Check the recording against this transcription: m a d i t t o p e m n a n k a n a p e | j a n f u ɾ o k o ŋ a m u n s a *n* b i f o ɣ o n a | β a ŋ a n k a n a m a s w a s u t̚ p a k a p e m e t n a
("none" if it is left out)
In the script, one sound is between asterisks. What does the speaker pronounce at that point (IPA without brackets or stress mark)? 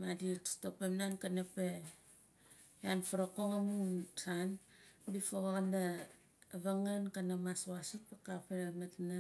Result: n